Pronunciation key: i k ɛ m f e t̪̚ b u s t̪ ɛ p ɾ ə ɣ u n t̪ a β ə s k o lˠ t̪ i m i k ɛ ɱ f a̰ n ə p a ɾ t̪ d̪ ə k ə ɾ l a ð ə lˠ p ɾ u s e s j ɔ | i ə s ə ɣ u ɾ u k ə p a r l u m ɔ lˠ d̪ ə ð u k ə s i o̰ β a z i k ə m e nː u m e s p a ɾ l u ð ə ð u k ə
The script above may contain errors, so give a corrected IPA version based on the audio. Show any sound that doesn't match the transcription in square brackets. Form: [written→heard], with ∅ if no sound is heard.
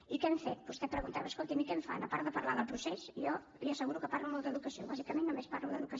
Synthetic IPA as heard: i k ɛ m f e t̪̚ b u s t̪ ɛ p ɾ ə ɣ u n t̪ a β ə s k o lˠ t̪ i m i k ɛ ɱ f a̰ n ə p a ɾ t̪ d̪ ə [k→p] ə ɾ l a ð ə lˠ p ɾ u s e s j ɔ | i ə s ə ɣ u ɾ u k ə p a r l u m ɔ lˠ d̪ ə ð u k ə s i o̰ β a z i k ə m e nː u m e s p a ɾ l u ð ə ð u k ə